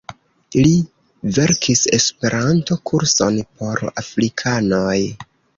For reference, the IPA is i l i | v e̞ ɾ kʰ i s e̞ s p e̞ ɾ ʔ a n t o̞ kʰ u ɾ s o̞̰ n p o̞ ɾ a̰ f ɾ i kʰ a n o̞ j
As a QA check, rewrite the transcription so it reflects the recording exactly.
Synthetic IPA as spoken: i l i | v e̞ ɾ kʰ i s e̞ s p e̞ ɾ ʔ a n t o̞ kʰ u ɾ s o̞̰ n p o̞ ɾ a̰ f ɾ i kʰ a n o̞ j